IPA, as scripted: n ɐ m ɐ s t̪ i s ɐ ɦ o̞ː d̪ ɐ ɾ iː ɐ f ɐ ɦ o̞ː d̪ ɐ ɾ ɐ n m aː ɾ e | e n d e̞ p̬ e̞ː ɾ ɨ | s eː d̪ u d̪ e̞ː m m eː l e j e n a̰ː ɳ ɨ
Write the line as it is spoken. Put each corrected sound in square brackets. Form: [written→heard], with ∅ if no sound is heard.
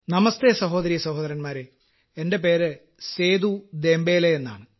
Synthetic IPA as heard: n ɐ m ɐ s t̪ [i→e] s ɐ ɦ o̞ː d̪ ɐ ɾ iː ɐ [f→s] ɐ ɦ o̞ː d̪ ɐ ɾ ɐ n m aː ɾ e | e n d e̞ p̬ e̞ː ɾ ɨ | s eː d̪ u d̪ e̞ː m [m→b] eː l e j e [n→nː] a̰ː ɳ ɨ